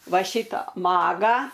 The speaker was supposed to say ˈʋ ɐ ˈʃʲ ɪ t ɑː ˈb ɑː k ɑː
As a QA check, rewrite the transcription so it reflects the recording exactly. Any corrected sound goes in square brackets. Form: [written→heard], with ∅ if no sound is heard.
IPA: ˈʋ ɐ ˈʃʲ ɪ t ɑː [ˈb→ˈm] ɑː [k→ɡ] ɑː